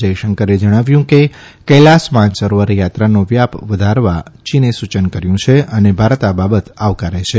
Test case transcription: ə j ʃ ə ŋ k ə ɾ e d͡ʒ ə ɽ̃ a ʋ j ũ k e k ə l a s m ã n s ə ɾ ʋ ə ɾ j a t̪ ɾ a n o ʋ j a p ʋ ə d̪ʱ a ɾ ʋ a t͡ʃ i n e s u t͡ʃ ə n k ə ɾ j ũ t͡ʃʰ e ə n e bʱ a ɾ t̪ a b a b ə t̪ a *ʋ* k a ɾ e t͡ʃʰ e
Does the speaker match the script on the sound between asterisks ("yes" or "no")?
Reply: yes